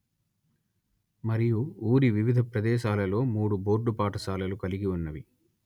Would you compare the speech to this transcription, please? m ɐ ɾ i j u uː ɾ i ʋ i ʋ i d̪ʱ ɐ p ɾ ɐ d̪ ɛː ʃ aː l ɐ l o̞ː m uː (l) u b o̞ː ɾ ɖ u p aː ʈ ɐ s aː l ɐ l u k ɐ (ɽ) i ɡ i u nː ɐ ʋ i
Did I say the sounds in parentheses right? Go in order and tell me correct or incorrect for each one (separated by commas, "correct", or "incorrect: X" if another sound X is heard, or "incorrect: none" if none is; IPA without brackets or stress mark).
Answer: incorrect: ɽ, incorrect: l